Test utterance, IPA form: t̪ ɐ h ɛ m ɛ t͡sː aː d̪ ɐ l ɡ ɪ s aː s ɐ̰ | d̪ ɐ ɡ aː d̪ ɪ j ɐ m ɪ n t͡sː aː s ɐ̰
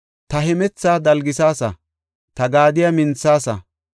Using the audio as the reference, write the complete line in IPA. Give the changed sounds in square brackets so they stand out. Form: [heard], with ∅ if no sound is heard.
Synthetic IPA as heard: t̪ ɐ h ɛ m ɛ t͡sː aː d̪ ɐ l ɡ ɪ s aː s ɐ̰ | [t̪] ɐ ɡ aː d̪ ɪ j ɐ m ɪ n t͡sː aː s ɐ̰